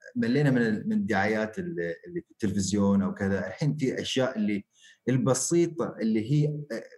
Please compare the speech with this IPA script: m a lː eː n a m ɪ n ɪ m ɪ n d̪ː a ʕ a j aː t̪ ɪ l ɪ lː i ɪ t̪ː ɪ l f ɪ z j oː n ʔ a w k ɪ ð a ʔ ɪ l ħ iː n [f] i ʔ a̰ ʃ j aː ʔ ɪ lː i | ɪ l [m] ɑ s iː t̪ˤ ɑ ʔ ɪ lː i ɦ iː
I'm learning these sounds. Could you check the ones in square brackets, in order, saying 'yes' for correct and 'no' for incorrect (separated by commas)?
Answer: yes, no